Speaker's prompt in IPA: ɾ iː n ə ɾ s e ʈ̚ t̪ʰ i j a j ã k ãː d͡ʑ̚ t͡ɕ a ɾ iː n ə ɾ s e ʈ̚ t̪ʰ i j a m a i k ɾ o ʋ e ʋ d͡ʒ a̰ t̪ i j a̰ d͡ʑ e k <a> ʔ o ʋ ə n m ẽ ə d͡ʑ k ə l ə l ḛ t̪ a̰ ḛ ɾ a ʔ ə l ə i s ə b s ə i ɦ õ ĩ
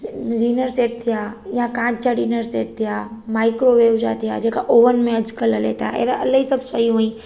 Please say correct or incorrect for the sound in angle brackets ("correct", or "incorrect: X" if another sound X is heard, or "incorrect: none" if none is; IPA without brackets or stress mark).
correct